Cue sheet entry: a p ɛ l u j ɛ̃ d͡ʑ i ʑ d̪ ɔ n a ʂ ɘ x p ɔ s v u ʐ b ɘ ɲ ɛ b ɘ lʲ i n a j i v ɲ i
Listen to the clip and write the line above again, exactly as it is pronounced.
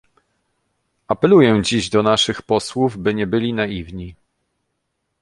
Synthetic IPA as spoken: a p ɛ l u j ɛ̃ d͡ʑ i ʑ d̪ ɔ n a ʂ ɘ x p ɔ s w u v b ɘ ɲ ɛ b ɘ lʲ i n a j i v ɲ i

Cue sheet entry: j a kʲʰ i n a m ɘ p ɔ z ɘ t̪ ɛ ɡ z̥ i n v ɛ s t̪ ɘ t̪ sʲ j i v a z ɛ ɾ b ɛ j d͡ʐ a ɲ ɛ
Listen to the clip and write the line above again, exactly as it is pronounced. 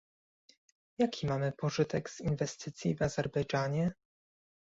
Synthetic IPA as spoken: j a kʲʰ i m a m ɘ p ɔ ʐ ɘ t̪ ɛ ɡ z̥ i n v ɛ s t̪ ɘ t̪ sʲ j i v a z ɛ ɾ b ɛ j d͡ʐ a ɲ ɛ

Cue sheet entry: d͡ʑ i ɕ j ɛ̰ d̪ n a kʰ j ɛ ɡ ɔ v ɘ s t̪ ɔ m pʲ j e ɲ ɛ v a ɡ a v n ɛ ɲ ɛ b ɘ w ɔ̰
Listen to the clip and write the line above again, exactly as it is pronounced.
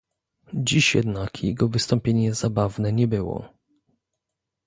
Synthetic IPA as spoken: d͡ʑ i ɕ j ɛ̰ d̪ n a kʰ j ɛ ɡ ɔ v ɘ s t̪ ɔ m pʲ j e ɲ ɛ z a b a v n ɛ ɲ ɛ b ɘ w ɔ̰

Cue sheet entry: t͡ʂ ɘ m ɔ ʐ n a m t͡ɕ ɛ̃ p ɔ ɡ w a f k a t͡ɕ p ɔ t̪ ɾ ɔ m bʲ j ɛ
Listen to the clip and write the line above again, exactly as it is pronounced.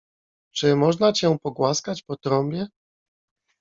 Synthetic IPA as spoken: t͡ʂ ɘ m ɔ ʐ n a t͡ɕ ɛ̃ p ɔ ɡ w a s k a t͡ɕ p ɔ t̪ ɾ ɔ m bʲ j ɛ

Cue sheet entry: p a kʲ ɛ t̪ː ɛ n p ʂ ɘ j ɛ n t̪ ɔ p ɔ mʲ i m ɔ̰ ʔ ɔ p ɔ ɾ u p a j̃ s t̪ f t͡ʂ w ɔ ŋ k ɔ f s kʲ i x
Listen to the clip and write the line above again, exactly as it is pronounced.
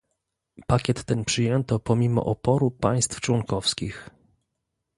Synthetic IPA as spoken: p a kʲ ɛ t̪ː ɛ n p ʂ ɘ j ɛ n t̪ ɔ p ɔ mʲ i m ɔ̰ ʔ ɔ p ɔ ɾ u p a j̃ s t̪ f t͡ʂ w ɔ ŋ k ɔ f s kʲ i x

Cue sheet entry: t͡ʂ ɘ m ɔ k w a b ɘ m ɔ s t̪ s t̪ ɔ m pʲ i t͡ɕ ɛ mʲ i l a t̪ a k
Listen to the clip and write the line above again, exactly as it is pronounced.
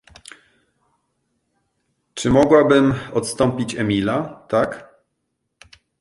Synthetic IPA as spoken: t͡ʂ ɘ m ɔ ɡ w a b ɘ m ɔ t̪ s t̪ ɔ m pʲ i t͡ɕ ɛ mʲ i l a t̪ a k

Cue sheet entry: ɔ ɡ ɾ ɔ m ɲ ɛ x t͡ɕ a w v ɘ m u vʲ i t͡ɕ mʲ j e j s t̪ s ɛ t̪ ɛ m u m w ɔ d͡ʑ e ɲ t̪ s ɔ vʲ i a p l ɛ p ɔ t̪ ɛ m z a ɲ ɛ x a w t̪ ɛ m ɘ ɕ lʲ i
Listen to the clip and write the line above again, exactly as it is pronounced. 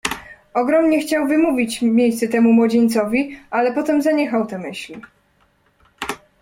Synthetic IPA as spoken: ɔ ɡ ɾ ɔ m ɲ ɛ x t͡ɕ a w v ɘ m u vʲ i t͡ɕ mʲ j e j s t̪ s ɛ t̪ ɛ m u m w ɔ d͡ʑ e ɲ t̪ s ɔ vʲ i a l ɛ p ɔ t̪ ɛ m z a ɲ ɛ x a w t̪ ɛ m ɘ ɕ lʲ i

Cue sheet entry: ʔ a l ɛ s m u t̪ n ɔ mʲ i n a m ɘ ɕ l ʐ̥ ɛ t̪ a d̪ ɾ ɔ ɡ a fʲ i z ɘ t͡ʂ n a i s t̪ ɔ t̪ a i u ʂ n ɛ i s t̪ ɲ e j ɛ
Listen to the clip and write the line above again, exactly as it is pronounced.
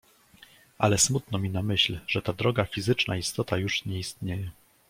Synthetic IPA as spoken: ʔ a l ɛ s m u t̪ n ɔ mʲ i n a m ɘ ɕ l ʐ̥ ɛ t̪ a d̪ ɾ ɔ ɡ a fʲ i z ɘ t͡ʂ n a i s t̪ ɔ t̪ a j u ʂ ɲ ɛ i s t̪ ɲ e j ɛ

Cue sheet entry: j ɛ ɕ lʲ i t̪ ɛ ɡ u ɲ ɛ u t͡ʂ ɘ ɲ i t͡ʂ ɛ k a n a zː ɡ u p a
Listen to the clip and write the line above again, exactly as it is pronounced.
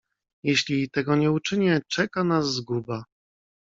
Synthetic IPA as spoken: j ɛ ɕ lʲ i t̪ ɛ ɡ ɔ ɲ ɛ u t͡ʂ ɘ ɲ ɛ t͡ʂ ɛ k a n a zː ɡ u b a

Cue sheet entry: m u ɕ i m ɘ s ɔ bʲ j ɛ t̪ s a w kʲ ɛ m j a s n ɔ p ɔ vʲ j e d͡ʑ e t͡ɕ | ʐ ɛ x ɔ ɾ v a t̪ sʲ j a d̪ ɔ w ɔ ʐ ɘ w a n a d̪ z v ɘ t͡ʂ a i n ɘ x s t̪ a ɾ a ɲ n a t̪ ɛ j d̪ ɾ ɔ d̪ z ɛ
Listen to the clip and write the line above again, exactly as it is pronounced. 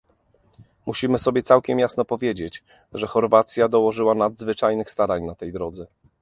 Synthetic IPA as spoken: m u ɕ i m ɘ s ɔ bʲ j ɛ t̪ s a w kʲ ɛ m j a s n ɔ p ɔ vʲ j e d͡ʑ e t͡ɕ | ʐ ɛ x ɔ ɾ v a t̪ sʲ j a d̪ ɔ w ɔ ʐ ɘ w a n a d̪ z v ɘ t͡ʂ a j n ɘ x s t̪ a ɾ a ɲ n a t̪ ɛ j d̪ ɾ ɔ d̪ z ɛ

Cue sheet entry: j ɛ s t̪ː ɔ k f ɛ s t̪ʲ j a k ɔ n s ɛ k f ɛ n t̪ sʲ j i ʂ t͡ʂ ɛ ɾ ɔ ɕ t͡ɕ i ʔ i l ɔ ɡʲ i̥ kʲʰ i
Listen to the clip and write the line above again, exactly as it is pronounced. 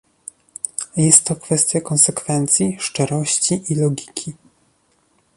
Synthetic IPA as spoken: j ɛ s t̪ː ɔ k f ɛ s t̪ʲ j a k ɔ n s ɛ k f ɛ n t̪ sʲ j i ʂ t͡ʂ ɛ ɾ ɔ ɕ t͡ɕ i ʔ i l ɔ ɡʲ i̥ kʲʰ i

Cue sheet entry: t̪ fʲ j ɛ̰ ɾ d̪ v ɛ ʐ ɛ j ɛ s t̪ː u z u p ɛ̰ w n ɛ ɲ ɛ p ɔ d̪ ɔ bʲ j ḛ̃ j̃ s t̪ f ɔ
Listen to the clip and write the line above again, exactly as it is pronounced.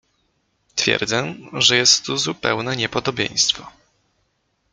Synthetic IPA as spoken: t̪ fʲ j ɛ̰ ɾ d̪ z ɛ ʐ ɛ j ɛ s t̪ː u z u p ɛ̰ w n ɛ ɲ ɛ p ɔ d̪ ɔ bʲ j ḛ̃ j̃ s t̪ f ɔ

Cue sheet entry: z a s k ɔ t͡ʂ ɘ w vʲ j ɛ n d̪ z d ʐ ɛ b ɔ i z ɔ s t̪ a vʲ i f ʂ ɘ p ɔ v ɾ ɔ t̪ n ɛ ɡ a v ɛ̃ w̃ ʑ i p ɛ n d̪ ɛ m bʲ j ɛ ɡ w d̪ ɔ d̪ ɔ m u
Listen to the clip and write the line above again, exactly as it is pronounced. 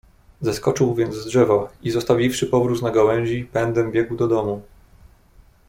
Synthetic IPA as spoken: z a s k ɔ t͡ʂ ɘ w vʲ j ɛ n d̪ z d ʐ ɛ v ɔ i z ɔ s t̪ a vʲ i f ʂ ɘ p ɔ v ɾ u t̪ n a ɡ a w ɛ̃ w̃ ʑ i p ɛ n d̪ ɛ m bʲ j ɛ ɡ w d̪ ɔ d̪ ɔ m u

